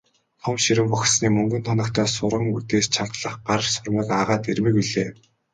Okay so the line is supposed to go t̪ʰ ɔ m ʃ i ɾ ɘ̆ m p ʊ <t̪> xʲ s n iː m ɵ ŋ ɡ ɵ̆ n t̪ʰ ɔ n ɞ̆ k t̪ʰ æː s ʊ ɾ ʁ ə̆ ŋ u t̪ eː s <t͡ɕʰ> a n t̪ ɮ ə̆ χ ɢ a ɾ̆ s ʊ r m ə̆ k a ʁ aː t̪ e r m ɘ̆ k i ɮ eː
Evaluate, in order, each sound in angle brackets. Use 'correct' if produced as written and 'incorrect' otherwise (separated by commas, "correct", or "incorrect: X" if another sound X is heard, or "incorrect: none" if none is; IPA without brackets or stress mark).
incorrect: none, correct